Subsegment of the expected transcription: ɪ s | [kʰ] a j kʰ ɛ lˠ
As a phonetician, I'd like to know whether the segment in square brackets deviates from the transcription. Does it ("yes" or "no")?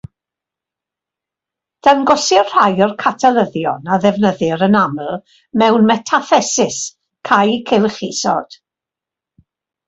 no